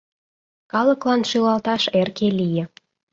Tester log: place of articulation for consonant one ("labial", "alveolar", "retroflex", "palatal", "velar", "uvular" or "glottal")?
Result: velar